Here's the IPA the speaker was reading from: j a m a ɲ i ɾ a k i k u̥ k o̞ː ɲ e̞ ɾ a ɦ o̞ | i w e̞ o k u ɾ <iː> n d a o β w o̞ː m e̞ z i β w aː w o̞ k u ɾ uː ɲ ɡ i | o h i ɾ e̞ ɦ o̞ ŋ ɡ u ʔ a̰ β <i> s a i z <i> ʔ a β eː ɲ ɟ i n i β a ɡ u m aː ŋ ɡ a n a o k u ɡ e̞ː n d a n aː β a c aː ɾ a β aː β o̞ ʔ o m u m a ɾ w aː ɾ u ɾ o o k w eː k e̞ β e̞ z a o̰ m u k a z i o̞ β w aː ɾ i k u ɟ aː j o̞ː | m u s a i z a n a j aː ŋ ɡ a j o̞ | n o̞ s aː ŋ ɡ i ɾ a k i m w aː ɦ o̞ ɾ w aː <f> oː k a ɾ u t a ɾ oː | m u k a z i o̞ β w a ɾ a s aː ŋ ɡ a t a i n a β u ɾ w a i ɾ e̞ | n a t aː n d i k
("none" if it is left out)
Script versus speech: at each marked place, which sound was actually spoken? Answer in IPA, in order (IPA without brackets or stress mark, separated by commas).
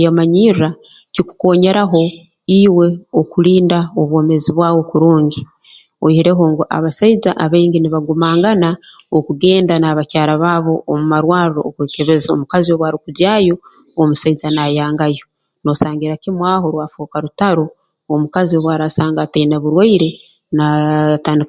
iː, a, a, f